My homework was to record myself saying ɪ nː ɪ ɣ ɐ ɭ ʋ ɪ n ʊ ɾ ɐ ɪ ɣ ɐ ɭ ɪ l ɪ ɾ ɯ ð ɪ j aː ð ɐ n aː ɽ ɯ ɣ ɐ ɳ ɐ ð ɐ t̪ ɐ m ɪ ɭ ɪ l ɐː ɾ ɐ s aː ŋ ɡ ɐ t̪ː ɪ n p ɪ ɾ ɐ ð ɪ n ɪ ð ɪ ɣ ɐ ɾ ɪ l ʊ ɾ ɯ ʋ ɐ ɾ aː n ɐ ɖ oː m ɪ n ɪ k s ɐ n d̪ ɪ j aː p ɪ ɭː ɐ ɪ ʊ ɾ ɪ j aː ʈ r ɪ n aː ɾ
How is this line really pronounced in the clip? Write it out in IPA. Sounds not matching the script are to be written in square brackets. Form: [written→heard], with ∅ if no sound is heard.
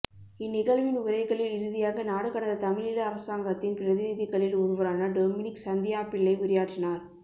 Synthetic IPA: ɪ nː ɪ ɣ ɐ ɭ ʋ ɪ n ʊ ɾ ɐ ɪ ɣ ɐ ɭ ɪ l ɪ ɾ ɯ ð ɪ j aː [ð→ɣ] ɐ n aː ɽ ɯ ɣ ɐ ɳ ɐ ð ɐ t̪ ɐ m ɪ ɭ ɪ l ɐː ɾ ɐ s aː ŋ ɡ ɐ t̪ː ɪ n p ɪ ɾ ɐ ð ɪ n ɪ ð ɪ ɣ ɐ [ɾ→ɭ] ɪ l ʊ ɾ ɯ ʋ ɐ ɾ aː n ɐ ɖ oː m ɪ n ɪ k s ɐ n d̪ ɪ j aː p ɪ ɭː ɐ ɪ ʊ ɾ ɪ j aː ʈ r ɪ n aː ɾ